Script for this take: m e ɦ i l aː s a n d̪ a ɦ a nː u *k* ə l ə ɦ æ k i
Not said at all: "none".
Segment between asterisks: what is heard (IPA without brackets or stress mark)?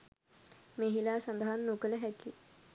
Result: k